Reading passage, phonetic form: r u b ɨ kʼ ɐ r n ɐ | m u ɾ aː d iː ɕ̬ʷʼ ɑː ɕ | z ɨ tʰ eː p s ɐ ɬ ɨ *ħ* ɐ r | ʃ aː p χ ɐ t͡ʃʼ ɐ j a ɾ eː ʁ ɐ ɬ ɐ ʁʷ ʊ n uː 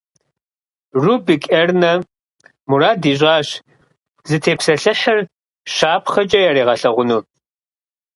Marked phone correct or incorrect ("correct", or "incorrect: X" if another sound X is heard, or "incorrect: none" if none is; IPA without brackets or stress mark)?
correct